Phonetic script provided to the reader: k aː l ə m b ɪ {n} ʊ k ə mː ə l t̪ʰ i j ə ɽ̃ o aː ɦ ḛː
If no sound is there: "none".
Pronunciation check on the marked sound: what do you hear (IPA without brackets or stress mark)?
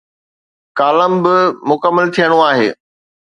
m